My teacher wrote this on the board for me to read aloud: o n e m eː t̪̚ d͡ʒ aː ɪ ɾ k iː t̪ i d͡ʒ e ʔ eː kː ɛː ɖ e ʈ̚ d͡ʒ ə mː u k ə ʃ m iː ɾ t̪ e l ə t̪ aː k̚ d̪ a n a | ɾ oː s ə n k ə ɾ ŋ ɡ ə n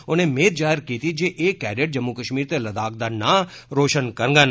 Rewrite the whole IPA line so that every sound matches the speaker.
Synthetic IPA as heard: o n e m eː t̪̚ d͡ʒ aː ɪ ɾ k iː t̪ i d͡ʒ e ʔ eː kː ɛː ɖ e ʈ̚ d͡ʒ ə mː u k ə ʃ m iː ɾ t̪ e l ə d̪ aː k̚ d̪ a n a | ɾ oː ʃ ə n k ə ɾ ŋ ɡ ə n